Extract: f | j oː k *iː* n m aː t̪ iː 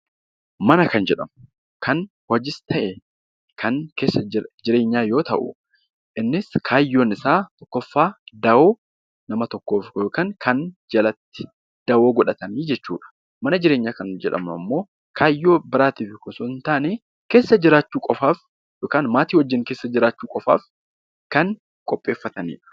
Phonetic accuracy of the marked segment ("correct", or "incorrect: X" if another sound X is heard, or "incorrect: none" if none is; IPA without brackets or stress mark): incorrect: aː